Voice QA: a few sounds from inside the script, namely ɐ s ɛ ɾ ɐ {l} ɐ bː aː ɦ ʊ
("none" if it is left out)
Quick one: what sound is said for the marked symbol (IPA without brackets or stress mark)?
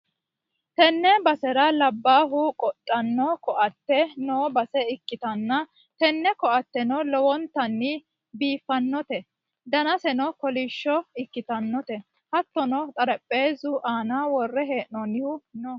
l